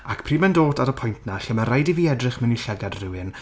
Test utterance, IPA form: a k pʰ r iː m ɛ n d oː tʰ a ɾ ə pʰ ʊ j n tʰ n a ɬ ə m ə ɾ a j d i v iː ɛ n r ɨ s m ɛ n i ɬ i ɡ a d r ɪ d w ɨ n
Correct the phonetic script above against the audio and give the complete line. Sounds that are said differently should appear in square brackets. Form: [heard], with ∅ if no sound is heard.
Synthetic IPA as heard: a k pʰ r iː m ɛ n d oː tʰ a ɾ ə pʰ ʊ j n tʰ n a ɬ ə m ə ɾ a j d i v iː ɛ [d] r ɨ [χ] m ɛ n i ɬ [ɛ] ɡ a d r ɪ [∅] w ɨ n

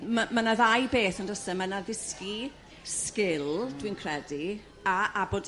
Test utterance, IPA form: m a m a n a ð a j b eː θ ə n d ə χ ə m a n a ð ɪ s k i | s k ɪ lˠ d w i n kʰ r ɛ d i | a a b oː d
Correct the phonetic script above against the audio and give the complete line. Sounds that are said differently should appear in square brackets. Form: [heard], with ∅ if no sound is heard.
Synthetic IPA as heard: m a m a n a ð a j b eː θ ə n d ə [s] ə m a n a ð ɪ s k i | s k ɪ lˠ d w i n kʰ r ɛ d i | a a b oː d

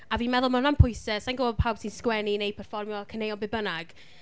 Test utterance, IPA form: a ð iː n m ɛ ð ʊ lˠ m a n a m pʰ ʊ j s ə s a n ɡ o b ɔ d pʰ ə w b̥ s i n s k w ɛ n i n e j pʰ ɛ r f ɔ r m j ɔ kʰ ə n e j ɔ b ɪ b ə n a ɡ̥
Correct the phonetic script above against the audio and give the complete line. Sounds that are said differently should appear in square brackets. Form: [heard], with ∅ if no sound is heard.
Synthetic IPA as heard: a [v] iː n m ɛ ð ʊ lˠ m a n a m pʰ ʊ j s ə s a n ɡ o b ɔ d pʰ [a] w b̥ s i n s k w ɛ n i n e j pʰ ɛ r f ɔ r m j ɔ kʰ ə n e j ɔ b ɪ b ə n a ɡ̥

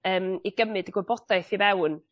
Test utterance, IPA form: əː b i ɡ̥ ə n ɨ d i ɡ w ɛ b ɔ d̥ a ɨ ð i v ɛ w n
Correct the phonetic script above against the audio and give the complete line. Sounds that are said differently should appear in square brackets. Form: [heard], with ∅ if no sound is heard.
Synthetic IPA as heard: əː [m] i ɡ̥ ə [m] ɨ d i ɡ w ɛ b ɔ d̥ a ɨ [θ] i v ɛ w n

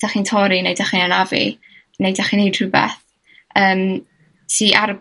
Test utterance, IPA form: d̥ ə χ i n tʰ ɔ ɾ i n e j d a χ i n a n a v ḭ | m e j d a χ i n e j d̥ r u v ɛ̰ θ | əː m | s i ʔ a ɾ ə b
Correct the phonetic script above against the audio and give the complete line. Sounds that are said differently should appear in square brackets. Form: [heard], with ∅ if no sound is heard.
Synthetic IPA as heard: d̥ [a] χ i n tʰ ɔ ɾ i n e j d a χ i n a n a v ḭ | [n] e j d a χ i n e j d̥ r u [b] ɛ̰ θ | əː m | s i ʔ a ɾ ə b

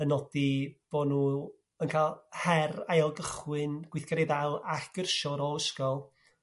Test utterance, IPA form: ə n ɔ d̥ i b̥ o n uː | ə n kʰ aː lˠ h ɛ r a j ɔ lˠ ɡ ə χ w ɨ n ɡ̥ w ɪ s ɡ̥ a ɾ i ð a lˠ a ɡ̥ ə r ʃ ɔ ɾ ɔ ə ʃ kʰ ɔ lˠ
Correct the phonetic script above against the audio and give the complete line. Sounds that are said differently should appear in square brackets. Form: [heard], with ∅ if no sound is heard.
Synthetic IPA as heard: ə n ɔ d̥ i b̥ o n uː | ə n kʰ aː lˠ h ɛ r a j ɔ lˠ ɡ ə χ w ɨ n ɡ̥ w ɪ [θ] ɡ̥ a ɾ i ð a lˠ a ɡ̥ ə r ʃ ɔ ɾ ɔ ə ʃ [k] ɔ lˠ

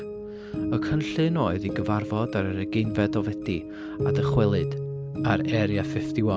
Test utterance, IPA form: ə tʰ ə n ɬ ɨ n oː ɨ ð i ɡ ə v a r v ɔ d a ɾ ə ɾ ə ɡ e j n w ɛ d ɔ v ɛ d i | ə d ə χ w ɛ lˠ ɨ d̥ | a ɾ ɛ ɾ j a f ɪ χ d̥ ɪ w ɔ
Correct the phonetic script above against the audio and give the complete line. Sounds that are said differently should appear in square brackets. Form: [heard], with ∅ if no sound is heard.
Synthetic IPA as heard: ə [kʰ] ə n ɬ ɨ n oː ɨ ð i ɡ ə v a r v ɔ d a ɾ ə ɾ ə ɡ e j n [v] ɛ d ɔ v ɛ d i | [a] d ə χ w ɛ lˠ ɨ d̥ | a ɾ ɛ ɾ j a f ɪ [f] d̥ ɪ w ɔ

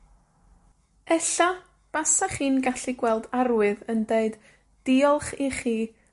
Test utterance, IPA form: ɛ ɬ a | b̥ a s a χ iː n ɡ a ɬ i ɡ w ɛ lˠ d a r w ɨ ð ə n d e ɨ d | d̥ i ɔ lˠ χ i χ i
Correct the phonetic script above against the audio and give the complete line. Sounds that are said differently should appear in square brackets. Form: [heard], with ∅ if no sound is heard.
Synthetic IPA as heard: ɛ ɬ a | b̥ a s a χ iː n ɡ a ɬ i ɡ w ɛ lˠ d a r w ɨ ð ə n d e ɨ d | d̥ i ɔ lˠ χ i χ [iː]

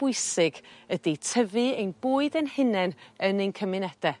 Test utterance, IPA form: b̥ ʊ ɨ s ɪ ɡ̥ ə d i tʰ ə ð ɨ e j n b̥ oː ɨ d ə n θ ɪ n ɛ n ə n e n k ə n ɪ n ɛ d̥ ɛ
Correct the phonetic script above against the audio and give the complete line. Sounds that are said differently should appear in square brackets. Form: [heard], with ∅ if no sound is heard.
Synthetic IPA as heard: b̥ ʊ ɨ s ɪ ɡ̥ ə d i tʰ ə [v] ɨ e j n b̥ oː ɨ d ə n [h] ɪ n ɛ n ə n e n [kʰ] ə [m] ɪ n ɛ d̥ ɛ

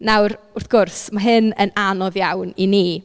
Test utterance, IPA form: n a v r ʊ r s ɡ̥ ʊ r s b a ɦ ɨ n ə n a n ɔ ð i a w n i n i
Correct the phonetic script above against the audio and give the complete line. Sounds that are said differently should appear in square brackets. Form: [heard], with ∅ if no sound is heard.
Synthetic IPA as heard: n a [w] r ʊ r [θ] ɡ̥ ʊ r s [m] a ɦ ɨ n ə n a n ɔ ð [j] a w n i n i

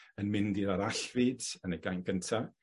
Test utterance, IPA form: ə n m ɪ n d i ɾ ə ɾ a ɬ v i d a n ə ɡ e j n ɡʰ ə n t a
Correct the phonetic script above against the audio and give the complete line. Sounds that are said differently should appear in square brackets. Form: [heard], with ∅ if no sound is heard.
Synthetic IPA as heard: ə n m ɪ n d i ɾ [a] ɾ a ɬ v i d [ə] n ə ɡ [a] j n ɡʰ ə n [tʰ] a

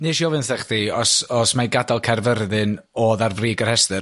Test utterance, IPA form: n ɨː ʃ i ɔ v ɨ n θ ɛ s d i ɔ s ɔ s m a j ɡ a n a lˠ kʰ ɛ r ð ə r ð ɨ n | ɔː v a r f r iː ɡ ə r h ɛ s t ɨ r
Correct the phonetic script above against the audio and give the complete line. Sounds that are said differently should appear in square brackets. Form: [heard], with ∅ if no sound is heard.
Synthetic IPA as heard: n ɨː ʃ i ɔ v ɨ n θ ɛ [χ] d i ɔ s ɔ s m a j ɡ a [d] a lˠ kʰ ɛ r [v] ə r ð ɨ n | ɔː [ð] a r [v] r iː ɡ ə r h ɛ s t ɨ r

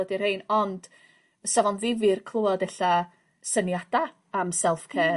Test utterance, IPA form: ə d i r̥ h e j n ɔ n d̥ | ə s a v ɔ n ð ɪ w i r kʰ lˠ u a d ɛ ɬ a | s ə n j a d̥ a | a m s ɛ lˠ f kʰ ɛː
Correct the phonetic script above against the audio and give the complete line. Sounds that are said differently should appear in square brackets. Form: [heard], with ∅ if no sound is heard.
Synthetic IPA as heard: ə d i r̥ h e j n ɔ n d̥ | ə s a v ɔ n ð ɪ [v] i r kʰ lˠ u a d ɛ ɬ a | s ə n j a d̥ a | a m s ɛ lˠ f kʰ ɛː

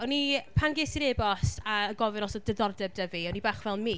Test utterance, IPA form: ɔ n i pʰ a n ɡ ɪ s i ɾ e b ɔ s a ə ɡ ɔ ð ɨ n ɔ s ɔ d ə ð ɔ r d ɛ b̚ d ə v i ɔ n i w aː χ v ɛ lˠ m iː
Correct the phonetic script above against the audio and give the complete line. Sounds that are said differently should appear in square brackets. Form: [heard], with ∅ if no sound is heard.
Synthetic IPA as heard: ɔ n i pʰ a n ɡ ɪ s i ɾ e b ɔ s a ə ɡ ɔ [v] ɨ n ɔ s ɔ d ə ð ɔ r d ɛ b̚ d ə v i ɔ n i [b] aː χ v ɛ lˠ m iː

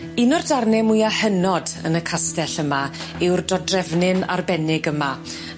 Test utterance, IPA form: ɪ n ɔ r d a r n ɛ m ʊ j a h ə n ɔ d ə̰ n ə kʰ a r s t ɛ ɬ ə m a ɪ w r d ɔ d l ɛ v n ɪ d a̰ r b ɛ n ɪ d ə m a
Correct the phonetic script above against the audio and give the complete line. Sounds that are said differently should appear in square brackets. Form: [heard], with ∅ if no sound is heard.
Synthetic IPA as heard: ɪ n ɔ r d a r n ɛ m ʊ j a h ə n ɔ d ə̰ n ə kʰ a [∅] s t ɛ ɬ ə m a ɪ w r d ɔ d [r] ɛ v n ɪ [n] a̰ r b ɛ n ɪ [ɡ] ə m a

